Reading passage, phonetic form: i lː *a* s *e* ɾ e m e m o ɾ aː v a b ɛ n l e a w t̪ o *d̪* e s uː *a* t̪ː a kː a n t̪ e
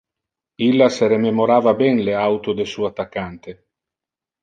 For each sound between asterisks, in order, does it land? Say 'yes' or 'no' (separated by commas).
yes, yes, yes, yes